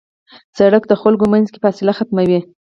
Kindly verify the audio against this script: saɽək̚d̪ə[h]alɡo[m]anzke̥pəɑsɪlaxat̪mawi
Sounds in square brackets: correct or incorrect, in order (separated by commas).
incorrect, correct